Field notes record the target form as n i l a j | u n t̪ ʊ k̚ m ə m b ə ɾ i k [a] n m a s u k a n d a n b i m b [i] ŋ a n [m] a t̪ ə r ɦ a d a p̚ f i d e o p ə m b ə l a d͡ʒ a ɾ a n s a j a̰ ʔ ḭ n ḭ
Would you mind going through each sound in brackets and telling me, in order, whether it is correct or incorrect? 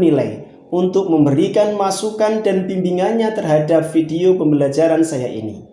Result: correct, correct, incorrect

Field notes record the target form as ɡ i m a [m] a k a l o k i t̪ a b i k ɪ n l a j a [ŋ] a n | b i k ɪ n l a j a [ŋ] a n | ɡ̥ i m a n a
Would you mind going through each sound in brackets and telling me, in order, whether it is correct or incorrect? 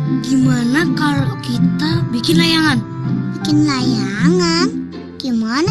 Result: incorrect, correct, correct

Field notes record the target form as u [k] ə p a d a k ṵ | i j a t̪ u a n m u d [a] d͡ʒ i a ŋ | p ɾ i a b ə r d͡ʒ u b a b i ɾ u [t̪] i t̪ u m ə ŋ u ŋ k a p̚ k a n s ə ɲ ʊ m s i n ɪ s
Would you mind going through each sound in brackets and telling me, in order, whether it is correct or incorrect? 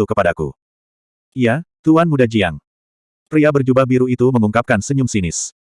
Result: correct, correct, incorrect

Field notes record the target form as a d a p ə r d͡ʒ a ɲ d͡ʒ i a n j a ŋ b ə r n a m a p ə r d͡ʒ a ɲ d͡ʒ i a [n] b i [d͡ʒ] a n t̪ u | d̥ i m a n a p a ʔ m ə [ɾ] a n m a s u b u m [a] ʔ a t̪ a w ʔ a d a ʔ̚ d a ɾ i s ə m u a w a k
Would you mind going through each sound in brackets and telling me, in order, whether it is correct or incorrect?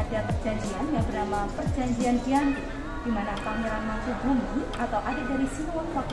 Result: correct, incorrect, correct, incorrect

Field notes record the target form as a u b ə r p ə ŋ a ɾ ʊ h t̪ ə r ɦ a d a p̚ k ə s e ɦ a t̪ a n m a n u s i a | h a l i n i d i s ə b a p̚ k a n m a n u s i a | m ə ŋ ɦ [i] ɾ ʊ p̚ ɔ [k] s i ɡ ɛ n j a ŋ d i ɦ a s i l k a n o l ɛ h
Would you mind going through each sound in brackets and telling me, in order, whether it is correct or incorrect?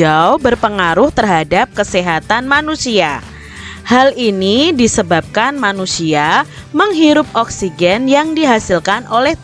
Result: correct, correct

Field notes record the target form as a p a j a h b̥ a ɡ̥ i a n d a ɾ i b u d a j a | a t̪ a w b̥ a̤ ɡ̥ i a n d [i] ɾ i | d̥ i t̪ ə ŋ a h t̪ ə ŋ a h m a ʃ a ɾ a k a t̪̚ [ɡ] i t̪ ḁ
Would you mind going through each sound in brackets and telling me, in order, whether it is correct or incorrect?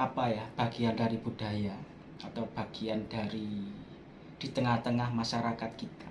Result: incorrect, incorrect

